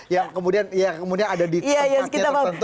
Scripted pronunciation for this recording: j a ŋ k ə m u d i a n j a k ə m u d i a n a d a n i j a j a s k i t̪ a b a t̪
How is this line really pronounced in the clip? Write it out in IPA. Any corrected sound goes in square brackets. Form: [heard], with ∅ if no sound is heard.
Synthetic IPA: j a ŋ k ə m u d i a n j a k ə m u d i a n a d a [d] i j a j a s k i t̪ a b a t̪